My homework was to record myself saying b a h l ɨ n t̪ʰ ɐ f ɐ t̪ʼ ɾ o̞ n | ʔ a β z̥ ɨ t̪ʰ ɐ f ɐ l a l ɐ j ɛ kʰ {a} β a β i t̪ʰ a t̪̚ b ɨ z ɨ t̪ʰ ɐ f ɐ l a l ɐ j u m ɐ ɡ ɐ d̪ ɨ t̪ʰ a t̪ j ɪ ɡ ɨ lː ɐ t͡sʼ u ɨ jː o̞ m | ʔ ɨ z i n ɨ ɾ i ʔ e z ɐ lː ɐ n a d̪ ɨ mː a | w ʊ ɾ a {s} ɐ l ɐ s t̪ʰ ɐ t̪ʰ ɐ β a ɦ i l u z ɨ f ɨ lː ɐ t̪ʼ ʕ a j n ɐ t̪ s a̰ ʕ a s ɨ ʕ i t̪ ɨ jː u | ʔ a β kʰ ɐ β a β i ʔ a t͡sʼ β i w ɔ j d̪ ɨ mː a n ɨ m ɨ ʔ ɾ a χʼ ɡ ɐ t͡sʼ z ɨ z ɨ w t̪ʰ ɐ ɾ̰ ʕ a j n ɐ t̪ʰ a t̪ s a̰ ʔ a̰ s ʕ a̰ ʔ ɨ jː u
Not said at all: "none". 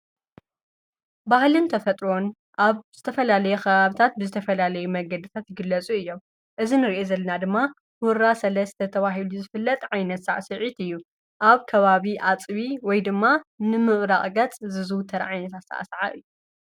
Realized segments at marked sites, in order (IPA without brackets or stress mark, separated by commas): ɐ, s